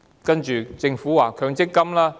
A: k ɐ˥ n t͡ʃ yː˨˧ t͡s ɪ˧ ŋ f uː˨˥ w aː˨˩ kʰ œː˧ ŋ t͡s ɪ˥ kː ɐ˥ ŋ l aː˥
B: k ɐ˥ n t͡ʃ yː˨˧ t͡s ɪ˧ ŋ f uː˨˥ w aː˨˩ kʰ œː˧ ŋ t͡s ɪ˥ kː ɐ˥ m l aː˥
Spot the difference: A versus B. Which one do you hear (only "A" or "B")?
B